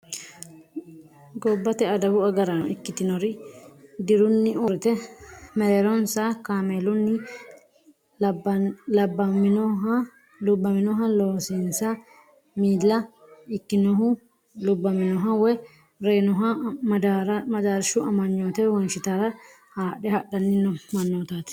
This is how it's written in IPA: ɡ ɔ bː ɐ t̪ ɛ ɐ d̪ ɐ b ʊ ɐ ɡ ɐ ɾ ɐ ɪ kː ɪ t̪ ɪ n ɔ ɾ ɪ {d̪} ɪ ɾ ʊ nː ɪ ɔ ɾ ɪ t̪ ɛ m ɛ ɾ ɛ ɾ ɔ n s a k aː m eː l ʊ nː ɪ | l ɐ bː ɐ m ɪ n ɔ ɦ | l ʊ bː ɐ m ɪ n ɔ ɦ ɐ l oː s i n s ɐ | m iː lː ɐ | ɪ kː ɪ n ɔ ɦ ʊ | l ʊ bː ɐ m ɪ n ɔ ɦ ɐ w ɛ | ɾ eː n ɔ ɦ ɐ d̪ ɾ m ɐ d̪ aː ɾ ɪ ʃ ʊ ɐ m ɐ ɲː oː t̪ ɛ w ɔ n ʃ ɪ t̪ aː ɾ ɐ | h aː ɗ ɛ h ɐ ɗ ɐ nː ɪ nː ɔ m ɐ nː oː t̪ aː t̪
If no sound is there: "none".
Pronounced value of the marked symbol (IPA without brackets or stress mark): d̪